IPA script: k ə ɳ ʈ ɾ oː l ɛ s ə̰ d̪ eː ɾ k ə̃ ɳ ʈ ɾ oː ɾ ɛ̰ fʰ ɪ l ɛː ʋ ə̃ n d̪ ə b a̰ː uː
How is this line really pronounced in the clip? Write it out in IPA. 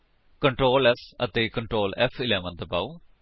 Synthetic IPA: k ə ɳ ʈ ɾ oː l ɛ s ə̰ t̪ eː k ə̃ ɳ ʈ ɾ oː l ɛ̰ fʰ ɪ l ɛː ʋ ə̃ n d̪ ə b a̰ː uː